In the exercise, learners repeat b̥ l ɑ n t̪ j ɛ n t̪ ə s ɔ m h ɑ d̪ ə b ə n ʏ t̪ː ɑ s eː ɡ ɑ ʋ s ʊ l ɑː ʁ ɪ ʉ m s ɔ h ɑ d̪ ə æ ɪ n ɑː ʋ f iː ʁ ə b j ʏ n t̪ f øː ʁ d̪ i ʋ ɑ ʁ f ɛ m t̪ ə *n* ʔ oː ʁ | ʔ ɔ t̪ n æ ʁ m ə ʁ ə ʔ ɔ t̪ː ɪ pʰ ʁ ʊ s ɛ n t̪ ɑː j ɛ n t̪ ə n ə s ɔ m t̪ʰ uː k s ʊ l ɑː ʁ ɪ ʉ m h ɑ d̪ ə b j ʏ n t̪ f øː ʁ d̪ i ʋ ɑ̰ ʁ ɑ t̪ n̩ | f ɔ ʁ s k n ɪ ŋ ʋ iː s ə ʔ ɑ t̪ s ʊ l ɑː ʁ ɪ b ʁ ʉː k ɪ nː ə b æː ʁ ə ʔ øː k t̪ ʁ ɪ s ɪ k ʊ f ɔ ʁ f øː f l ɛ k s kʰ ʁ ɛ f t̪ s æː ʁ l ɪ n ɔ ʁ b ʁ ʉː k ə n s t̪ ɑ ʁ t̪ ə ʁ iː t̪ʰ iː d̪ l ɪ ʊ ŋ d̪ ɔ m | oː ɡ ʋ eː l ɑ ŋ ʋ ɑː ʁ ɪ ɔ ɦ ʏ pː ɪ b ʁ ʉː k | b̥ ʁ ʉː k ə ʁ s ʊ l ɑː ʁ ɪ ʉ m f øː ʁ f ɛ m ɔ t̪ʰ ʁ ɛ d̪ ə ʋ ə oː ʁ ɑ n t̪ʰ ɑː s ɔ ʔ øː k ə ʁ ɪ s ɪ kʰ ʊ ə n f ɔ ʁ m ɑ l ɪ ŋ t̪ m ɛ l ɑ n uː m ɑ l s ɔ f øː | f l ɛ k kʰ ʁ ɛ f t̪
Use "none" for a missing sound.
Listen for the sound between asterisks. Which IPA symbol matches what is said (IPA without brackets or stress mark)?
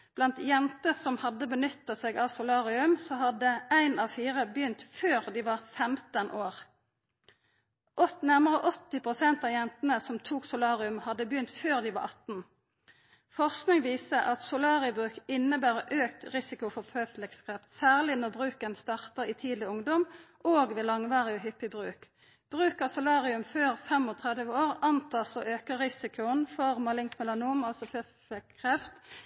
n